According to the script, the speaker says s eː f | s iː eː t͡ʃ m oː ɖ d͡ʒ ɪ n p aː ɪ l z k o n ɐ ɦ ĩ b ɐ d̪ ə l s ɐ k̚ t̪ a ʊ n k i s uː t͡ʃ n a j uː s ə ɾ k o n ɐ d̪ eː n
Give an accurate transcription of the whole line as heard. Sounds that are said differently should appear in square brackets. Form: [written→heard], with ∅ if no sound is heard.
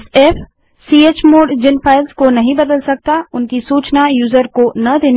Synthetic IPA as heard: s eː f | s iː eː t͡ʃ m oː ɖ d͡ʒ ɪ n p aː ɪ l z k o n ɐ ɦ ĩ b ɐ d̪ ə l s ɐ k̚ t̪ a ʊ n k i s uː t͡ʃ n a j uː [s→z] ə ɾ k o n ɐ d̪ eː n

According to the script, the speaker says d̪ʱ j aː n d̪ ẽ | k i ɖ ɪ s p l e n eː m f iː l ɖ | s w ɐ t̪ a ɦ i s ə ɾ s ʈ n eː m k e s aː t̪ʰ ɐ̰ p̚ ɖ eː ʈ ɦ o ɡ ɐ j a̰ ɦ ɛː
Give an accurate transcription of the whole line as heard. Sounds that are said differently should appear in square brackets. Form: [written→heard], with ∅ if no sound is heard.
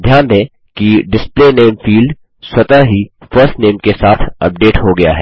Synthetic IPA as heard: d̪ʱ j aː n d̪ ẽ | k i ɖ ɪ s p l e n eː m f iː l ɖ | s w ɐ t̪ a ɦ i [s→f] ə ɾ s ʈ n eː m k e s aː t̪ʰ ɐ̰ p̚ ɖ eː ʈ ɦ o ɡ ɐ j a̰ ɦ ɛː

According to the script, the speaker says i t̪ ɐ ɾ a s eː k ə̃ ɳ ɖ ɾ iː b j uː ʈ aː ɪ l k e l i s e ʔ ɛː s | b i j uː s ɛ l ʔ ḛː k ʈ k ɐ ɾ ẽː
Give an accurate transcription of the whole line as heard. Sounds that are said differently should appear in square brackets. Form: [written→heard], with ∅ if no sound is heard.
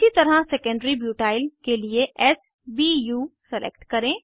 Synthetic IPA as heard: i t̪ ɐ ɾ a s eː k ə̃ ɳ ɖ ɾ [iː→i] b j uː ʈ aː ɪ l k e l i [s→∅] e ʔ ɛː s | b i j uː s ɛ l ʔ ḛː k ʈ k ɐ ɾ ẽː

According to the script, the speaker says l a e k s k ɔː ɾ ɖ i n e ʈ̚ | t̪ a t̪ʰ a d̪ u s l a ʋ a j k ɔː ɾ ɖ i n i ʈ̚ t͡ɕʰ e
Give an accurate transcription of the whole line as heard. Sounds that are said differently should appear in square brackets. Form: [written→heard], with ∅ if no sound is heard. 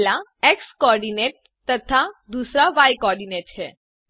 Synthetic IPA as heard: l a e k s k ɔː ɾ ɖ i n e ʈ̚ | t̪ [a→ə] t̪ʰ a d̪ u s [l→ɾ] a ʋ a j k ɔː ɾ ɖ i n [i→e] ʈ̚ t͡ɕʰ e

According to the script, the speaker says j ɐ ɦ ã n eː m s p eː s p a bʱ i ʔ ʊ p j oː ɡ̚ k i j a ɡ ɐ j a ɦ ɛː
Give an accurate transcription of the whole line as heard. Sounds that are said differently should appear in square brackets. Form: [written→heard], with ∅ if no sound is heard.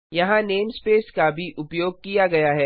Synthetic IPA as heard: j ɐ ɦ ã n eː m s p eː s [p→k] a bʱ i ʔ ʊ p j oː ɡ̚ k i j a ɡ ɐ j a ɦ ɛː

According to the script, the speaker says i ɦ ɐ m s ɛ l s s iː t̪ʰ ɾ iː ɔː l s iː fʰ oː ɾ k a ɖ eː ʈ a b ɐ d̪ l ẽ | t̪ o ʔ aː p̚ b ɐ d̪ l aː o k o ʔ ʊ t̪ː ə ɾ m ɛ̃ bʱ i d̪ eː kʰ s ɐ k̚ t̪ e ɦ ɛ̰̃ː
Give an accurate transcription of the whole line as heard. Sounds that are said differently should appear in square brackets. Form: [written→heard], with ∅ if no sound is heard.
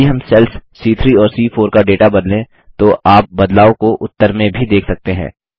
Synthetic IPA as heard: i ɦ ɐ m s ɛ l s s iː t̪ʰ ɾ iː ɔː [l→ɾ] s iː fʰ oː ɾ k a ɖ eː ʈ a b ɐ d̪ l ẽ | t̪ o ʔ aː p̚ b ɐ d̪ l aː o k o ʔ ʊ t̪ː ə ɾ m [ɛ̃→ẽ] bʱ i d̪ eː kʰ s ɐ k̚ t̪ e ɦ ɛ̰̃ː

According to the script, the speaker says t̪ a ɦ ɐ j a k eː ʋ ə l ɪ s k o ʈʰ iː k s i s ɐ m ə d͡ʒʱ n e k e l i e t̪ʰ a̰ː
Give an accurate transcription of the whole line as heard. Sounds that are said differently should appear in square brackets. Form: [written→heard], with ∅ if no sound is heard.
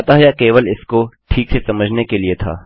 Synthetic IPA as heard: t̪ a ɦ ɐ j a k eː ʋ ə l ɪ s k o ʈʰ iː k s [i→e] s ɐ m ə d͡ʒʱ n e k e l i e t̪ʰ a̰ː

